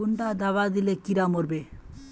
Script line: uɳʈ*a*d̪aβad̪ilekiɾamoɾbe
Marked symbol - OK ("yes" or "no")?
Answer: yes